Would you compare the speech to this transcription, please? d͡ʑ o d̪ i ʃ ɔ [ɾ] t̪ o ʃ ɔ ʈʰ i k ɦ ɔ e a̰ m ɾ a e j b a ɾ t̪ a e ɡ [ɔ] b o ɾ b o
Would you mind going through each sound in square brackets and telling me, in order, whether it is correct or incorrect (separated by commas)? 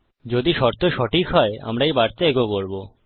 correct, incorrect